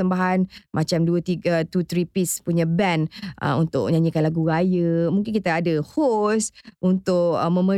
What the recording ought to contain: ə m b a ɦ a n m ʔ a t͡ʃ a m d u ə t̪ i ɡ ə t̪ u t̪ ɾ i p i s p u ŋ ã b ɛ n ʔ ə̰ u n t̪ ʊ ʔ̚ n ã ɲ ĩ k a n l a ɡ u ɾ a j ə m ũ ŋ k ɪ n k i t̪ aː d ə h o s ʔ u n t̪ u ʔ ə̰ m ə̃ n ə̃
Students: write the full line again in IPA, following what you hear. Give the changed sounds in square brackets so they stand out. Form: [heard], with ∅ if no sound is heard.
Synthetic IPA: ə m b a ɦ a n m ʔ a t͡ʃ a m d u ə t̪ i ɡ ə t̪ u t̪ ɾ i p i s p u [ɲ] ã b ɛ n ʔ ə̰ u n t̪ ʊ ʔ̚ [ɲ] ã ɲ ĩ k a n l a ɡ u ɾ a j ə m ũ ŋ k ɪ n k i t̪ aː d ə h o s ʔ u n t̪ [ʊ] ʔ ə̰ m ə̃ [m] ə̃